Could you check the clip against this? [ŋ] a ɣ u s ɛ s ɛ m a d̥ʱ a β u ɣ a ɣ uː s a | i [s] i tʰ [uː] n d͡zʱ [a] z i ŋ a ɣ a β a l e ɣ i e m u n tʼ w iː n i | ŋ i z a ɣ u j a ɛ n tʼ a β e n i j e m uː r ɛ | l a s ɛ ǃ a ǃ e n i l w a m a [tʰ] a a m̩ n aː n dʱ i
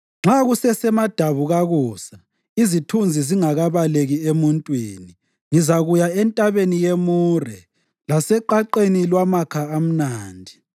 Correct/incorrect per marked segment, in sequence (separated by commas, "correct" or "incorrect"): incorrect, incorrect, incorrect, incorrect, incorrect